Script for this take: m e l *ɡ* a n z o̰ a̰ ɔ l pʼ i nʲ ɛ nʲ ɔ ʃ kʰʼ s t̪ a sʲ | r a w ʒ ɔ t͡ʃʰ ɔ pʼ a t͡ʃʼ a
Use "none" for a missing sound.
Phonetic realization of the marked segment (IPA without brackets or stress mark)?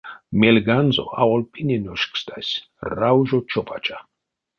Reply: ɡ